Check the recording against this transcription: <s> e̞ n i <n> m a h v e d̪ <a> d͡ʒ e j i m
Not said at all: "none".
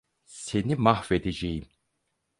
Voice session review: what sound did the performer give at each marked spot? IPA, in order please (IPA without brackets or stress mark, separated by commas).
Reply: s, none, e